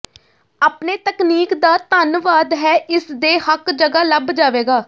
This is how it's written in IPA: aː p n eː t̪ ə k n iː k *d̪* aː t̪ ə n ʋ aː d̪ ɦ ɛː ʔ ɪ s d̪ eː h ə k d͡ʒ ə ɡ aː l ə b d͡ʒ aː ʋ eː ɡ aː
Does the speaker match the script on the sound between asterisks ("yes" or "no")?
yes